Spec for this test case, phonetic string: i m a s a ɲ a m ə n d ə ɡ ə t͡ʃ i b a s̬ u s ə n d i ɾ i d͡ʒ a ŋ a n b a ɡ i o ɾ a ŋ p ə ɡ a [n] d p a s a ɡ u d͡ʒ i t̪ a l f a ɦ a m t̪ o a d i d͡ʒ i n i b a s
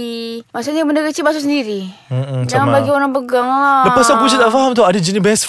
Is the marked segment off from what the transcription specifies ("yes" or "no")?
yes